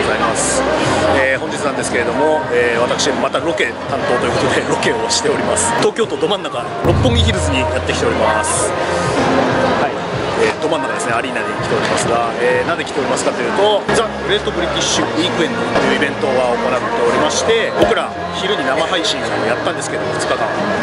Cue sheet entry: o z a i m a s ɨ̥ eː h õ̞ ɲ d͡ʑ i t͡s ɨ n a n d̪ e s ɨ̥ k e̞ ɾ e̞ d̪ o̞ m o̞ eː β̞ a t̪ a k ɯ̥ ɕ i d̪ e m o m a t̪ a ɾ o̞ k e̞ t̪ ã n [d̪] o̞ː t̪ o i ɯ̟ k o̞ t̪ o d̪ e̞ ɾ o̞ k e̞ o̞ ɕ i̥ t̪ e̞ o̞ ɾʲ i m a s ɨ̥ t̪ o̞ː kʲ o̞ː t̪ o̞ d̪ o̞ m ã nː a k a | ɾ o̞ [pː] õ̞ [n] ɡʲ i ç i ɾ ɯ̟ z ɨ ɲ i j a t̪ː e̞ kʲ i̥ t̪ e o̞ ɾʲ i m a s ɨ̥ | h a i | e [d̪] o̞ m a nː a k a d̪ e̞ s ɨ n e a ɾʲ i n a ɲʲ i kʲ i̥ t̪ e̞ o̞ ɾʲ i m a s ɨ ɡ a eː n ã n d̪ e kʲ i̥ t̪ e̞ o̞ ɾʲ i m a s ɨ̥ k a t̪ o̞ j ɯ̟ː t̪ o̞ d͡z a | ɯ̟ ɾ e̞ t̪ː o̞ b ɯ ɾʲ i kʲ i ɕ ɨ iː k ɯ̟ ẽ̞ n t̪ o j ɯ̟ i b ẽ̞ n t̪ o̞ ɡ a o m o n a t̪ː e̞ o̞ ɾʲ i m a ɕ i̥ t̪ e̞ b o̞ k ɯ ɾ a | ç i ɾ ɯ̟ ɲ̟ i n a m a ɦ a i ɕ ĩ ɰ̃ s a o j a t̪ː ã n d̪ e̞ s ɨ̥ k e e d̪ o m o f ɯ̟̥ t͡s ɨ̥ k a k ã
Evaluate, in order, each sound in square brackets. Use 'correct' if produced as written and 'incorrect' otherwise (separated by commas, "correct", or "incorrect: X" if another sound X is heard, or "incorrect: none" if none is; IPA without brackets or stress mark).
incorrect: t̪, correct, incorrect: ŋ, correct